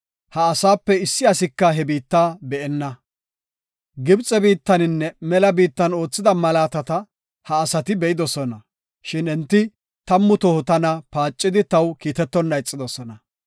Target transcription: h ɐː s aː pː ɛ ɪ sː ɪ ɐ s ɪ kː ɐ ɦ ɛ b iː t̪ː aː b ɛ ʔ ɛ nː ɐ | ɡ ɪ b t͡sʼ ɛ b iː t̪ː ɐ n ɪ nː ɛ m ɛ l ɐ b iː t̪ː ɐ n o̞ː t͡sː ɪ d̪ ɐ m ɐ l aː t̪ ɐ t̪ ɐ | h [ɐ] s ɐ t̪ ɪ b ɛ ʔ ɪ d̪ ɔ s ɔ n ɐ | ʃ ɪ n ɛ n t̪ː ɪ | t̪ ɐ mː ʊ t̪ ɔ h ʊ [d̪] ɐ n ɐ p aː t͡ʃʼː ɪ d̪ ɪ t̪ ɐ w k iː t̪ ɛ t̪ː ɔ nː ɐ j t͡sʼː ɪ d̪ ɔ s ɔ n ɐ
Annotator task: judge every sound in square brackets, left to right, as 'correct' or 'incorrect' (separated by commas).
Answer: incorrect, incorrect